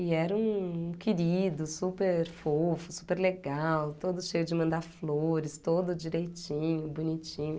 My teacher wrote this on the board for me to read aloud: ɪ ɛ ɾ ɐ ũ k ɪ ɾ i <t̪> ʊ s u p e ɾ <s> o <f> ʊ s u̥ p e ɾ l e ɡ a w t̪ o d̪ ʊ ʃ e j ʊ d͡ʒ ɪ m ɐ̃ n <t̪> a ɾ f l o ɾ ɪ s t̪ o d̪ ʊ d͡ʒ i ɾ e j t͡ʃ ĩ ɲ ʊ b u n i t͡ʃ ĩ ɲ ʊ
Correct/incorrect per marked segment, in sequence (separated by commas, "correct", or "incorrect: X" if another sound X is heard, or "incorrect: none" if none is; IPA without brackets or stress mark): incorrect: d̪, incorrect: f, correct, incorrect: d̪